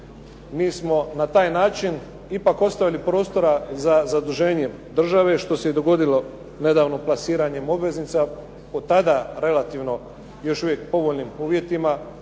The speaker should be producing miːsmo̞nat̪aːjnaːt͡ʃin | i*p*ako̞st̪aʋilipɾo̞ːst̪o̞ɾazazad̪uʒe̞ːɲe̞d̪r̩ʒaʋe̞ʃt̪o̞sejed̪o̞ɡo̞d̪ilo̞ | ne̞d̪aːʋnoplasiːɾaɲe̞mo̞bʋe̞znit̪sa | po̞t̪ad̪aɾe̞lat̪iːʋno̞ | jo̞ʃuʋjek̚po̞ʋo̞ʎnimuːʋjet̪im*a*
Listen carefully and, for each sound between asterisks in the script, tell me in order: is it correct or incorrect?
correct, correct

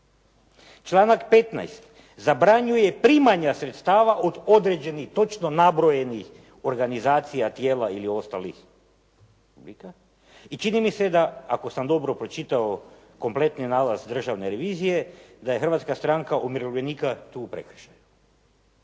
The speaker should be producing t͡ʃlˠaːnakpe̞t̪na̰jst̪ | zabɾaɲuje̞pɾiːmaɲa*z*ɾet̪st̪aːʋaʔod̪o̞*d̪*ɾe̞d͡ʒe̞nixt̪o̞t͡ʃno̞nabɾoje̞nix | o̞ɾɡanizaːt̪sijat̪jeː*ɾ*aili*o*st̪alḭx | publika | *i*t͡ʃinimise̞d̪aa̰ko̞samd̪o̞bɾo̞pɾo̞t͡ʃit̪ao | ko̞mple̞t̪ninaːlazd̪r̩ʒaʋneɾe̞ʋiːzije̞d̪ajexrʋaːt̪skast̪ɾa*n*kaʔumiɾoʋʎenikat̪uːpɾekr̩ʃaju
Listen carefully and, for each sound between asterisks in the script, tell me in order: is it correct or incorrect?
incorrect: s, correct, incorrect: l, correct, correct, incorrect: ŋ

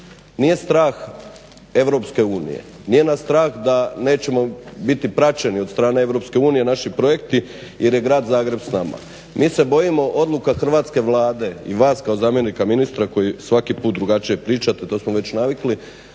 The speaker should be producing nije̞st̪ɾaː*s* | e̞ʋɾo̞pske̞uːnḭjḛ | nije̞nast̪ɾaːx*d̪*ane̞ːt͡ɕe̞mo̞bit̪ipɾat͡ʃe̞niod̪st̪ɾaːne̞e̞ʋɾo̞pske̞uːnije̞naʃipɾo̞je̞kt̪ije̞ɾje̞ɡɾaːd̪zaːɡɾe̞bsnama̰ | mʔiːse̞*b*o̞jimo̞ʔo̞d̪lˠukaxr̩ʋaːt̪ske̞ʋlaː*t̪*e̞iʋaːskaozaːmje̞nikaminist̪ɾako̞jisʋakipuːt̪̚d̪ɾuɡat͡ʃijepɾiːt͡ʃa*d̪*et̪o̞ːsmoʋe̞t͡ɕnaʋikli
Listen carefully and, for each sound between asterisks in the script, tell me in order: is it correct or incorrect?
incorrect: x, correct, correct, incorrect: d̪, incorrect: t̪

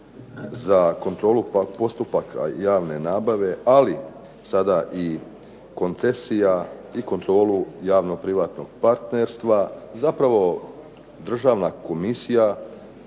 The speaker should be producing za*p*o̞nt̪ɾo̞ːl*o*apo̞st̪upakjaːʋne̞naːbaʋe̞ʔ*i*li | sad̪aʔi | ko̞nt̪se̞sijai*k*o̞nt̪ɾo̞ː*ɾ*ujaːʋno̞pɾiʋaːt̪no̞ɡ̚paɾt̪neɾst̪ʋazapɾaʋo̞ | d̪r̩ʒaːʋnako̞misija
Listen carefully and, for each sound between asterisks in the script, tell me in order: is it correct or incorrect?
incorrect: k, incorrect: u, incorrect: a, correct, incorrect: l

